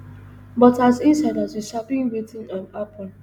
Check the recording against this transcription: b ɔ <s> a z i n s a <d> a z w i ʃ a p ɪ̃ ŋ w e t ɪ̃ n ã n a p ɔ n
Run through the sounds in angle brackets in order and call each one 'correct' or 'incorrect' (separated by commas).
incorrect, correct